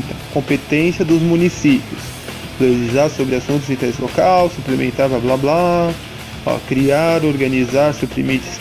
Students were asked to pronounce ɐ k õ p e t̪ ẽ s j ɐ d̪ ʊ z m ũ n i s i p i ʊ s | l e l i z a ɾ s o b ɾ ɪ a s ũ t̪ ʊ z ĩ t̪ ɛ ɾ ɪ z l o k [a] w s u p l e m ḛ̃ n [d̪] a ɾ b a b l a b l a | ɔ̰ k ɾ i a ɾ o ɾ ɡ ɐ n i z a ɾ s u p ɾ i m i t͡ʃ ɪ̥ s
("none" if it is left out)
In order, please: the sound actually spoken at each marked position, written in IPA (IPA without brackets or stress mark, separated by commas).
a, t̪